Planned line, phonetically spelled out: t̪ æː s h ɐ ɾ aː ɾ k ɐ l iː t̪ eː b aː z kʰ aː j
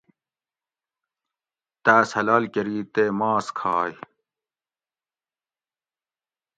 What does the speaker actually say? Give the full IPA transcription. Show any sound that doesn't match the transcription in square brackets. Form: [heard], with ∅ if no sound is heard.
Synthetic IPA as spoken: t̪ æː s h ɐ [l] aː [l] k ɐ [ɾ] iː t̪ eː [m] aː [s] kʰ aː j